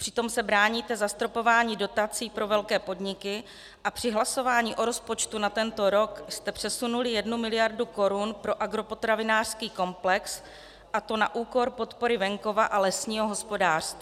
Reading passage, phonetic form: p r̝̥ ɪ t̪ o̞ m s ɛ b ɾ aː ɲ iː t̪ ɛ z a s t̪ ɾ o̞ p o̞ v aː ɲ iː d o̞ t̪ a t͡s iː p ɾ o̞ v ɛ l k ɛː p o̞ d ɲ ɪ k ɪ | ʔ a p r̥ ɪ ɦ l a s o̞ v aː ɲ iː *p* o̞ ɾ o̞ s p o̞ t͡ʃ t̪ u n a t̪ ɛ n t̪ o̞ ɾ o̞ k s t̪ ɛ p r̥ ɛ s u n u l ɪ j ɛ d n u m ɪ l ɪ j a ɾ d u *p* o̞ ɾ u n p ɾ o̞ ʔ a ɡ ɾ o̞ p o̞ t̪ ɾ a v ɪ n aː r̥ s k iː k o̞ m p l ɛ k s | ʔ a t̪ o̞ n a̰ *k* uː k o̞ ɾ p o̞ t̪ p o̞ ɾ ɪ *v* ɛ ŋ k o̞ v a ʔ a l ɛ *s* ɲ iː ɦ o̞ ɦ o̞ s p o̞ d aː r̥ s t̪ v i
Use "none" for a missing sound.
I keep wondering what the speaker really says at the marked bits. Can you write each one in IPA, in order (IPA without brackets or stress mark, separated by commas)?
ʔ, k, ʔ, v, s